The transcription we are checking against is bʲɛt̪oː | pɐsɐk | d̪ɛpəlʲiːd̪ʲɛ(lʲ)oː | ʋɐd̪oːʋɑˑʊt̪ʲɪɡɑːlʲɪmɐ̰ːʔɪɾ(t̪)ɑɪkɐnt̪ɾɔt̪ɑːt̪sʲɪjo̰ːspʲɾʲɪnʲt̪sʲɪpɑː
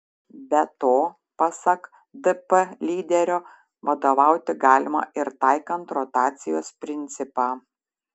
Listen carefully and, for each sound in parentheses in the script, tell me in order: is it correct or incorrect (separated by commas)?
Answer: incorrect, correct